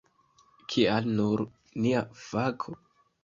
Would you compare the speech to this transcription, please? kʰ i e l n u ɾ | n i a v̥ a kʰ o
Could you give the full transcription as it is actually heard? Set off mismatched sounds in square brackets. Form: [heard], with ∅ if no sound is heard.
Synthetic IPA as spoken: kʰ i [a] l n u ɾ | n i a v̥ a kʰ o